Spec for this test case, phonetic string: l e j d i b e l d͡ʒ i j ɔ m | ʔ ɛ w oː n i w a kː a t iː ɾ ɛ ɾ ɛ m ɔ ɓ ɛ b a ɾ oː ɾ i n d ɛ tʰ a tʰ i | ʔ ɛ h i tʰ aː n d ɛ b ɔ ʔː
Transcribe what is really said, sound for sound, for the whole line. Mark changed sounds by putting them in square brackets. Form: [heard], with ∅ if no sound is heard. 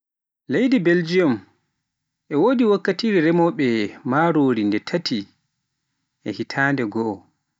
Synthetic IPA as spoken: l e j d i b e l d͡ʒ i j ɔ m | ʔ ɛ w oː [d] i w a kː a t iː ɾ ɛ ɾ ɛ m ɔ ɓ ɛ [m] a ɾ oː ɾ i n d ɛ tʰ a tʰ i | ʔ ɛ h i tʰ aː n d ɛ [ɡ] ɔ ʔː

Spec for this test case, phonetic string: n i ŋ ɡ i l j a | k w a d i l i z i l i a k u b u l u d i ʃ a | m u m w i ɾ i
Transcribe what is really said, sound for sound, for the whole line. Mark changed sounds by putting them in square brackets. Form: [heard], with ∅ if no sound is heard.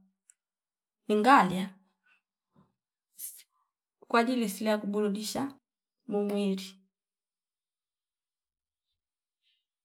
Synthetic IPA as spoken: n i ŋ ɡ [a] l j a | k w a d i l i [s] i l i a k u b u l u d i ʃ a | m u m w i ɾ i

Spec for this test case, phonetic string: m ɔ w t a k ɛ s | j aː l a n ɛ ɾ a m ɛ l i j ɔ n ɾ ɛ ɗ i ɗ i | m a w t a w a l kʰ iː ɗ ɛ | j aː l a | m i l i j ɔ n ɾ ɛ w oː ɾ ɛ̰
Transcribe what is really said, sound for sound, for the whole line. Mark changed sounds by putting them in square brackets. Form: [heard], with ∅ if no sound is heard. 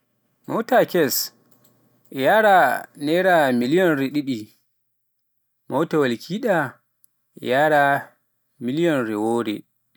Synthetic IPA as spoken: m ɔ w t a k ɛ s | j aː [ɾ] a n ɛ ɾ a m [i] l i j ɔ n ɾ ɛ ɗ i ɗ i | m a w t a w a l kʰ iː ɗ [a] | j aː [ɾ] a | m i l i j ɔ n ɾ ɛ w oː ɾ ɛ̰

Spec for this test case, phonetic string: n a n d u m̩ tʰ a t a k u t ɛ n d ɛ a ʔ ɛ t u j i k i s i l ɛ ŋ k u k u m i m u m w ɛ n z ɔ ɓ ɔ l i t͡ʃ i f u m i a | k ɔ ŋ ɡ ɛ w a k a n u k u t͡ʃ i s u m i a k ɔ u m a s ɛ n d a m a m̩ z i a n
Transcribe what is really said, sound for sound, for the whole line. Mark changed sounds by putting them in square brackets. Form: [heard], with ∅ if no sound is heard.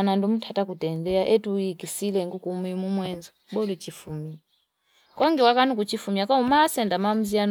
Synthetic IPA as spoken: n a n d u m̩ tʰ a t a k u t ɛ n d ɛ a ʔ ɛ t u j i k i s i l ɛ ŋ [ɡ] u k u m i m u m w ɛ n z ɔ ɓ ɔ l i t͡ʃ i f u m i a | k ɔ ŋ ɡ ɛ w a k a n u k u t͡ʃ i [f] u m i a k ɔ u m a s ɛ n d a m a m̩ z i a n

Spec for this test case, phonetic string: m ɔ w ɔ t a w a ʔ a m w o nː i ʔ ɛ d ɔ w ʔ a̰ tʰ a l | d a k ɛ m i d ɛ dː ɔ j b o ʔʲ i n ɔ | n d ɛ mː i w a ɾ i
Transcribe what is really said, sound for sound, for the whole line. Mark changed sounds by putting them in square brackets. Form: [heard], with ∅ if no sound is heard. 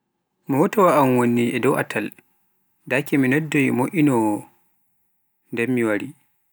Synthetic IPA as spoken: m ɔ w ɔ t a w a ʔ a m w o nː i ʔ ɛ d ɔ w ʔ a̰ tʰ a l | d a k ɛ m i [n] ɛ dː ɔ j [m] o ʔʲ i n ɔ | n d ɛ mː i w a ɾ i

